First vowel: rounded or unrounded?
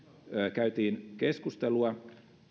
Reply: unrounded